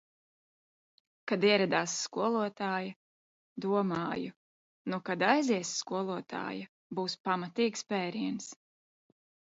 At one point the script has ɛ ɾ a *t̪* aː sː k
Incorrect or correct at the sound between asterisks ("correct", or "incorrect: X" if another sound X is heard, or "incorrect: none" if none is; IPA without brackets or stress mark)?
incorrect: d̪